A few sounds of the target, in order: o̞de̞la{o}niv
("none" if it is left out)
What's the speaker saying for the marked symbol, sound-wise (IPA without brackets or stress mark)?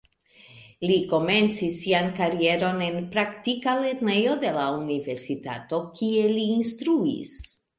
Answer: u